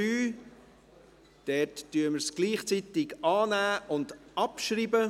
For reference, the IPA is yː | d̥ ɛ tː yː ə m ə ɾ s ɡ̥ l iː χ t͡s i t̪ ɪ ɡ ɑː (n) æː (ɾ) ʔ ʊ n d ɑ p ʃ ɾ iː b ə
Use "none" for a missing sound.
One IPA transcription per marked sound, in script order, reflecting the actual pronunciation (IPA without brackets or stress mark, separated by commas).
n, none